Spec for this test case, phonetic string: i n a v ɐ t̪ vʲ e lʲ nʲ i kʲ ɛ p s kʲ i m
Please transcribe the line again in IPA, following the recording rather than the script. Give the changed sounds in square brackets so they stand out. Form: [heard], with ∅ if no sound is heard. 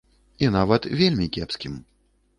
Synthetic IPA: i n a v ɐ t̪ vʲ e lʲ [mʲ] i kʲ ɛ p s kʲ i m